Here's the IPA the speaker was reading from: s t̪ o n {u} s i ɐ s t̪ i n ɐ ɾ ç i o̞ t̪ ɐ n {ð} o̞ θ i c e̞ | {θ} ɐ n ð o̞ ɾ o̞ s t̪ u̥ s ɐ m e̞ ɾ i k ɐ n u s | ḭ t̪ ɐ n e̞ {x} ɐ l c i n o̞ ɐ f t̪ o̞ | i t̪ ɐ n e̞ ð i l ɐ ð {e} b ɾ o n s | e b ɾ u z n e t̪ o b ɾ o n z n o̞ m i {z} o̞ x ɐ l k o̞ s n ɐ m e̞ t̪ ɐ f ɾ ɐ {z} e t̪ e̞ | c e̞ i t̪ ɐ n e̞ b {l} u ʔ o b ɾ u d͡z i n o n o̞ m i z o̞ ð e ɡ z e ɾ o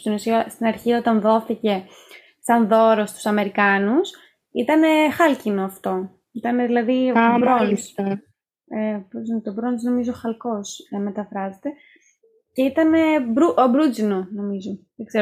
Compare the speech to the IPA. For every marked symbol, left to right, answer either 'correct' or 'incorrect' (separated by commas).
correct, correct, incorrect, correct, incorrect, correct, correct, incorrect